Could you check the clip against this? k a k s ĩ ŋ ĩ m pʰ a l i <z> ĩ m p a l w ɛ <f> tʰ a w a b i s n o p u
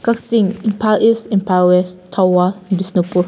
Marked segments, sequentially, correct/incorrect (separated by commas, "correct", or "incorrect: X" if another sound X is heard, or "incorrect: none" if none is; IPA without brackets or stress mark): incorrect: s, incorrect: s